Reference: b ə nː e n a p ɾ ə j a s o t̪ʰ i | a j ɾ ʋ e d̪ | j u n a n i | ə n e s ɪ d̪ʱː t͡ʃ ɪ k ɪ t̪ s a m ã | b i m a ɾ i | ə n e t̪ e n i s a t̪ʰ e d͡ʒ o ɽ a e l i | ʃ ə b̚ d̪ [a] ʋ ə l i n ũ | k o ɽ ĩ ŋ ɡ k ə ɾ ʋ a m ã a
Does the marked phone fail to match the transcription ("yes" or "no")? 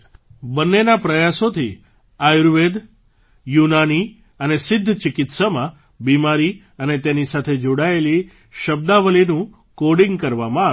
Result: no